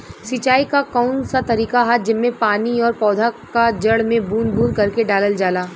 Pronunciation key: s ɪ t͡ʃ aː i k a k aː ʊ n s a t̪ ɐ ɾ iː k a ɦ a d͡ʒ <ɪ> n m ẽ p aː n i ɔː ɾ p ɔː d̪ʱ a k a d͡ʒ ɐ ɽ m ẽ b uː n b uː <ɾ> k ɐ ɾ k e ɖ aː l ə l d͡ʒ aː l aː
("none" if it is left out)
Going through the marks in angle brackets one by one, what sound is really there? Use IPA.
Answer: ɪ, ɾ

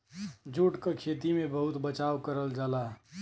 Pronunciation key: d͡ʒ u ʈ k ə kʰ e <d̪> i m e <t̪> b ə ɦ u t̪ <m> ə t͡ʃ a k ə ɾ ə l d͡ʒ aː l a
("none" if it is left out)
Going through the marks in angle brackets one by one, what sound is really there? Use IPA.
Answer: t̪, none, b

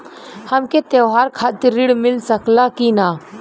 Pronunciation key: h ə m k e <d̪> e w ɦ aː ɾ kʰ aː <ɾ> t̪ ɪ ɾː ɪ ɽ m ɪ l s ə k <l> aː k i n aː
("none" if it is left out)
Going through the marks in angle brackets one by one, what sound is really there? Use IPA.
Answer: t̪, none, l

